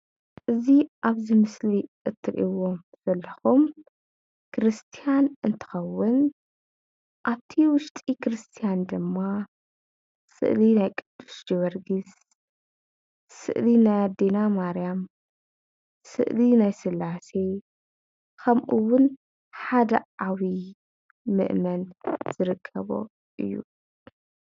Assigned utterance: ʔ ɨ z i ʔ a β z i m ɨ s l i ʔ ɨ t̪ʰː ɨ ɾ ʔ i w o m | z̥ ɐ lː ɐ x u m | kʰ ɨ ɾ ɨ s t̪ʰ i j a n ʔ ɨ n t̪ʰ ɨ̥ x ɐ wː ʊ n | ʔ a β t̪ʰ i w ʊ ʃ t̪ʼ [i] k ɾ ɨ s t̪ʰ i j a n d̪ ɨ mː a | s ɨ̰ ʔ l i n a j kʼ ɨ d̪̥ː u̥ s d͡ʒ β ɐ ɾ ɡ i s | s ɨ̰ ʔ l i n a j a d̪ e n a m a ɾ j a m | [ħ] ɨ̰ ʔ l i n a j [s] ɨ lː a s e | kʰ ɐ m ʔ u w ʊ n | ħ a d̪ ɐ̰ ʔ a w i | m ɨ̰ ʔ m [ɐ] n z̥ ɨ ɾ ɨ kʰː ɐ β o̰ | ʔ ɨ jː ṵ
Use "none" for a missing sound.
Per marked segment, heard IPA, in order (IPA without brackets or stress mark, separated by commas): i, s, s, ɐ